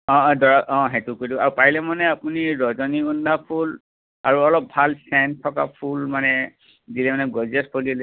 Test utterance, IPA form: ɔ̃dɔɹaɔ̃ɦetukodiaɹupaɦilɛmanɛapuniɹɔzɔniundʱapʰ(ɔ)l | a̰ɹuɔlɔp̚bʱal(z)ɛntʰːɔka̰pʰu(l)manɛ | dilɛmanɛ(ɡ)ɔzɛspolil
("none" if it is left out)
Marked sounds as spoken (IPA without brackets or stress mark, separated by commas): u, s, l, ɡ